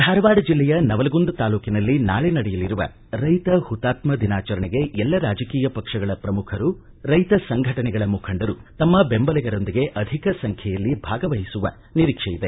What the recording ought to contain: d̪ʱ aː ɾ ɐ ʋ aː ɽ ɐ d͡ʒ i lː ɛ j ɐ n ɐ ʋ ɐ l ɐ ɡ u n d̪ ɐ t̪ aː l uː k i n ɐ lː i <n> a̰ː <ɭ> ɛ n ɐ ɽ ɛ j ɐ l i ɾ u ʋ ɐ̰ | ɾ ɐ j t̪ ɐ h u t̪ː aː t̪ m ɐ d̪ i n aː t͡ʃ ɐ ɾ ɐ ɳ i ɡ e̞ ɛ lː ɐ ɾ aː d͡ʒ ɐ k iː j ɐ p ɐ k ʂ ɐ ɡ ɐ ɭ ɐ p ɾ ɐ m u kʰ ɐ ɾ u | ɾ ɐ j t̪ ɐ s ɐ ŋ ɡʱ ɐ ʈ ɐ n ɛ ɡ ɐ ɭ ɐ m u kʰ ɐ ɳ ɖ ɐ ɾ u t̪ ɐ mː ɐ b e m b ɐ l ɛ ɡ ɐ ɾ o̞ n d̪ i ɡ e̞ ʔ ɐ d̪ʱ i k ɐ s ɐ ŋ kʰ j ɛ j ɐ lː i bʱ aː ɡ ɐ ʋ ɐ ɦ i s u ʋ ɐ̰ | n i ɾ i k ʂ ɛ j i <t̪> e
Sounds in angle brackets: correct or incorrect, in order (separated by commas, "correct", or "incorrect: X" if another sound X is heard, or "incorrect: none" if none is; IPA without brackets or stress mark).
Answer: correct, correct, incorrect: d̪